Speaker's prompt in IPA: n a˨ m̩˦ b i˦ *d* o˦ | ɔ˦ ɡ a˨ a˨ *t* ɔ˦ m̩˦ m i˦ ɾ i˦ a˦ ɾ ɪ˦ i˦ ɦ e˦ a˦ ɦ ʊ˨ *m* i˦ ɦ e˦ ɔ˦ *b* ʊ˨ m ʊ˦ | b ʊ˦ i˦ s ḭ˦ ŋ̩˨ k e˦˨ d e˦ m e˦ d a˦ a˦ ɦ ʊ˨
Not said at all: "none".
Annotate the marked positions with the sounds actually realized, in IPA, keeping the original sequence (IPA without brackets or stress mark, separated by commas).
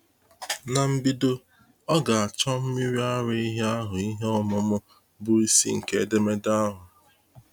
d, t͡ʃ, none, m